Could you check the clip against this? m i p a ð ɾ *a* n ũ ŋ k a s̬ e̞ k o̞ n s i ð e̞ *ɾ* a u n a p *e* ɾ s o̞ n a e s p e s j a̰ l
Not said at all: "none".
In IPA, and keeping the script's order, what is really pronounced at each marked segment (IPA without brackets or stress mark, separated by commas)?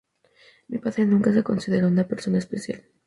e, ɾ, e